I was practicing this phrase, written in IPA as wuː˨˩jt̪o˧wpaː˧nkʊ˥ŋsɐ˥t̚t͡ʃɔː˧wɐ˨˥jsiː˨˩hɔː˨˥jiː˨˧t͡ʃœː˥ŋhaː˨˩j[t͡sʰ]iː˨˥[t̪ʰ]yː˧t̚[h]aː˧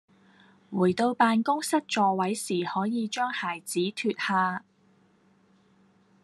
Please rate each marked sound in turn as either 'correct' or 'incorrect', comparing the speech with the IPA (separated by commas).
incorrect, correct, correct